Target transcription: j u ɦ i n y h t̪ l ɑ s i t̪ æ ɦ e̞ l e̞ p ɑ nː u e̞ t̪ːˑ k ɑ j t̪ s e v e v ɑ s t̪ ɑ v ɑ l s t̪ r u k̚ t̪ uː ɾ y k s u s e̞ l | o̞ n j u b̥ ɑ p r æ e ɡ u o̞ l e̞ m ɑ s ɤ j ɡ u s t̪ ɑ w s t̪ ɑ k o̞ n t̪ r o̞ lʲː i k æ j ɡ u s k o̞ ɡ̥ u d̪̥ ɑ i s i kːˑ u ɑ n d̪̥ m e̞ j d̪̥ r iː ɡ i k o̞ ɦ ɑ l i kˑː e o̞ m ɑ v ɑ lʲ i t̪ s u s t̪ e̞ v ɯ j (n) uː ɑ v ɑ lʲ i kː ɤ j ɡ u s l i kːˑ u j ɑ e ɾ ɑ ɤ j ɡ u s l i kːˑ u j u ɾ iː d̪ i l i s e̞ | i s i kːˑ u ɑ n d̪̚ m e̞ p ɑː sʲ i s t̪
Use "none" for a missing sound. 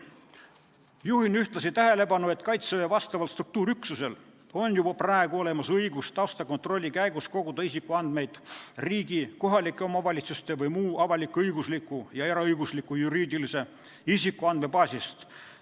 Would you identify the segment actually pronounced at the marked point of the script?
m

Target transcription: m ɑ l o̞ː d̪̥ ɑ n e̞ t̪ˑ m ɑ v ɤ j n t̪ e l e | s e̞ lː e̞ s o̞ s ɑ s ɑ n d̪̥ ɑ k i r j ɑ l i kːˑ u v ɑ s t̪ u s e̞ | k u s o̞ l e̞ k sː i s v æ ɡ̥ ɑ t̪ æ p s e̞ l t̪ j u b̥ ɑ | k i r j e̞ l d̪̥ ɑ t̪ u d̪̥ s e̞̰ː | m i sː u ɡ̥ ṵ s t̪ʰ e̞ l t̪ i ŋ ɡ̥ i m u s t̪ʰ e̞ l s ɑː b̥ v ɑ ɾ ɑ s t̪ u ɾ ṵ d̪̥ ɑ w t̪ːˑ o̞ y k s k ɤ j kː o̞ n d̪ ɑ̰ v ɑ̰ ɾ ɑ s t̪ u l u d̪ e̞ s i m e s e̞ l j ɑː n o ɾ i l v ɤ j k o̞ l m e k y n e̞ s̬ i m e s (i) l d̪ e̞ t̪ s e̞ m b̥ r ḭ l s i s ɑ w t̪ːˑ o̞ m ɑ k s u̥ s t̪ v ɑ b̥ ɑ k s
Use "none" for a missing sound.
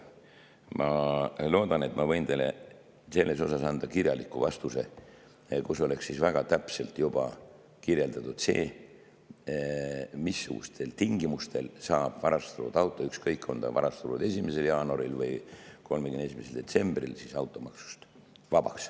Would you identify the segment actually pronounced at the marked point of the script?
e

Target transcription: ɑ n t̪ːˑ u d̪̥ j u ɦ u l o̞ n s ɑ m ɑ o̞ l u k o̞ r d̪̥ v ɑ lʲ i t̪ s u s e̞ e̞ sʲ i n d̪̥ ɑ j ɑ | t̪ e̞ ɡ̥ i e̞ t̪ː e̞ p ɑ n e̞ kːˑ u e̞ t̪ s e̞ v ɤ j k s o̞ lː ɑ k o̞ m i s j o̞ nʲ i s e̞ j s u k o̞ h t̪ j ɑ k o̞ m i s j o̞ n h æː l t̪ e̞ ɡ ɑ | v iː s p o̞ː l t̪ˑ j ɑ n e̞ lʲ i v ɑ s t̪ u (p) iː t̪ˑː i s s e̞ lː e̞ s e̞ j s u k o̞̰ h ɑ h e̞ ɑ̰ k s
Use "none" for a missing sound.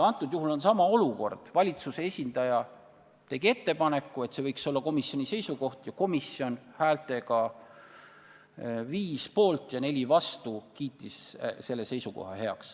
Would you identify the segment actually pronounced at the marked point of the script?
k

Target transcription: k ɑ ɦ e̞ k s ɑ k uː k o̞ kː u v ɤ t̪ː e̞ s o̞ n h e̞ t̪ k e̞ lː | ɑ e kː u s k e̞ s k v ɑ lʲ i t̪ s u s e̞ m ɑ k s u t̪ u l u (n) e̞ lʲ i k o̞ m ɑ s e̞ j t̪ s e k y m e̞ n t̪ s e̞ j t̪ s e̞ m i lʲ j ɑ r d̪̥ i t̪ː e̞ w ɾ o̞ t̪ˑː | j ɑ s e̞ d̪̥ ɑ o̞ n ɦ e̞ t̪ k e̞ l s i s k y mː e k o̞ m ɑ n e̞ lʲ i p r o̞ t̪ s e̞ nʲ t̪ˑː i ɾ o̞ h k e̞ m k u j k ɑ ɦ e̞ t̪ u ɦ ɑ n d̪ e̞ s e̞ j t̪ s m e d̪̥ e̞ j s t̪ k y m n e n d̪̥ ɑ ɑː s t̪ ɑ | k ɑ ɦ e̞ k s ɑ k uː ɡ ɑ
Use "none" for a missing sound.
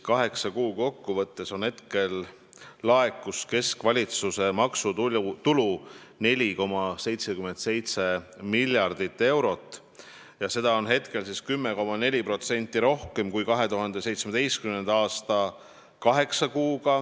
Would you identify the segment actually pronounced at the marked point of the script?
n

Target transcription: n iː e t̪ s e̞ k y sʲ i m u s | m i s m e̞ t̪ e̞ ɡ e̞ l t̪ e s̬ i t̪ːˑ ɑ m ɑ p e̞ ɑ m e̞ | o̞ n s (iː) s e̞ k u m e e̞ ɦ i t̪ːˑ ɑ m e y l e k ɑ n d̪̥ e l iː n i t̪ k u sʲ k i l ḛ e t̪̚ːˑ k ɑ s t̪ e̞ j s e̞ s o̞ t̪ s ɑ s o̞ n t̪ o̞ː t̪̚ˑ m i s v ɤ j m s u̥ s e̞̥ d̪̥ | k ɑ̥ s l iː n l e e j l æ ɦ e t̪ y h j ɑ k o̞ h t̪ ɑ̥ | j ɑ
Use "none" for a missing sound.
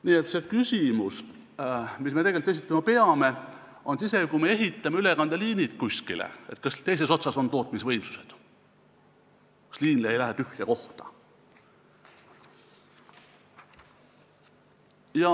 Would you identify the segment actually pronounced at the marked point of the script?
i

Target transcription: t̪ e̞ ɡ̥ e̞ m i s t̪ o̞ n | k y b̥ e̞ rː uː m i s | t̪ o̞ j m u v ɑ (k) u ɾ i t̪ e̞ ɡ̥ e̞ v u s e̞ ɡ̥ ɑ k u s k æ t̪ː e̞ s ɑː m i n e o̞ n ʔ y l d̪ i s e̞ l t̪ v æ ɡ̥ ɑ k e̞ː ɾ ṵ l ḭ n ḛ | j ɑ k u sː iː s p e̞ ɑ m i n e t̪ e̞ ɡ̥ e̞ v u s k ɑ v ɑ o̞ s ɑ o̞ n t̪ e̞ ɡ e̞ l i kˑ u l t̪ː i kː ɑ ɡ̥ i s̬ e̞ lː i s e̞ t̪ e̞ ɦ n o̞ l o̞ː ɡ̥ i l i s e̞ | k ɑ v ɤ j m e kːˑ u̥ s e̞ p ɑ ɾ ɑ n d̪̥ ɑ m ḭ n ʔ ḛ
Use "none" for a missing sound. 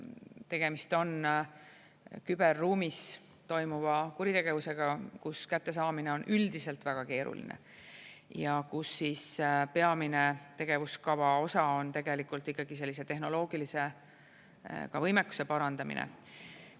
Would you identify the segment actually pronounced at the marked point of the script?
k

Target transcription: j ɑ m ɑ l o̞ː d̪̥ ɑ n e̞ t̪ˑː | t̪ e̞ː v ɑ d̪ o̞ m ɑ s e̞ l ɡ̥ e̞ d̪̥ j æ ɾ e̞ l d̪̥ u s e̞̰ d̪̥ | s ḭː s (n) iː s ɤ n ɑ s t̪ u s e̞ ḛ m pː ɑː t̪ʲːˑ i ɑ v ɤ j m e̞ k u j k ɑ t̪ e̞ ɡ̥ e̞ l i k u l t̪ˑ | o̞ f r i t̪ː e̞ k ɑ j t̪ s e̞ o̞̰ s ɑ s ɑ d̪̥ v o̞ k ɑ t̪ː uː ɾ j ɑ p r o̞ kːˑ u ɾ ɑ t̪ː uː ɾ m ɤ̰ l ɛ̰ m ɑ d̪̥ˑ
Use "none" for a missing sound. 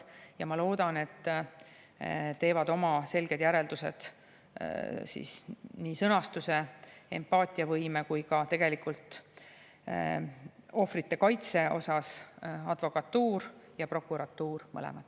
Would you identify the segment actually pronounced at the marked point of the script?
n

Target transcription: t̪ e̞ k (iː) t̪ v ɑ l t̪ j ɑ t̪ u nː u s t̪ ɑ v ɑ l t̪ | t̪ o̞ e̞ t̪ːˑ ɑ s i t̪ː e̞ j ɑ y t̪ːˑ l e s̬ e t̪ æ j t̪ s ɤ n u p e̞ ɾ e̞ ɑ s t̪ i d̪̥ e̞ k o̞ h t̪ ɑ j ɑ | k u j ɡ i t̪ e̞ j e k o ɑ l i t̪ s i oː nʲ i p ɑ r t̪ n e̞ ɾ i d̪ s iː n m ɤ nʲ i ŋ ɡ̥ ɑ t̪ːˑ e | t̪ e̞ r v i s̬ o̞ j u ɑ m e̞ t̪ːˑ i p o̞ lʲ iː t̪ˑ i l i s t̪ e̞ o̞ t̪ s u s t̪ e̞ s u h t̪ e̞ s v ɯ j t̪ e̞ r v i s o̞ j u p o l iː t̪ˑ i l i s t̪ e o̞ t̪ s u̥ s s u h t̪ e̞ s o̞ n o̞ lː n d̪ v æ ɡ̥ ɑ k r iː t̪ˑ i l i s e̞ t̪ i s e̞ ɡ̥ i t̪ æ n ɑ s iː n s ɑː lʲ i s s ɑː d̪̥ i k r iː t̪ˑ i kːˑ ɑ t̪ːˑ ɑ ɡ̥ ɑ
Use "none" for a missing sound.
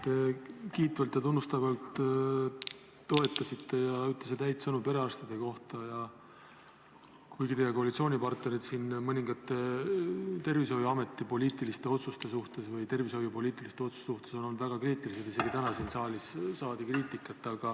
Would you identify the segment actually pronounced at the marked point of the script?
iː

